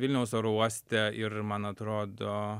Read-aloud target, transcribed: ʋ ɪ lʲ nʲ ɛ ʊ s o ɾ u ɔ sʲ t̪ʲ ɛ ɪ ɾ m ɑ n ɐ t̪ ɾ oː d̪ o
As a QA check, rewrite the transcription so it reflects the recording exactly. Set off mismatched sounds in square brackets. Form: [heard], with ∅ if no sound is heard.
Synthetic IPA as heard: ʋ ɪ lʲ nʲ ɛ ʊ s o ɾ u ɔ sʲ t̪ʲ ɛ ɪ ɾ m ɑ n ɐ t̪ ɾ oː d̪ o